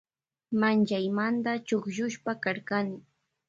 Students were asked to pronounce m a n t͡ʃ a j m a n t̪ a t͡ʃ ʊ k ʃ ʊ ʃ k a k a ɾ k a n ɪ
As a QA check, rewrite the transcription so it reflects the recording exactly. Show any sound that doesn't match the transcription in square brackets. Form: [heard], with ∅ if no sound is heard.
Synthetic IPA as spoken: m a n t͡ʃ a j m a n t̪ a t͡ʃ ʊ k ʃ ʊ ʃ [p] a k a ɾ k a n ɪ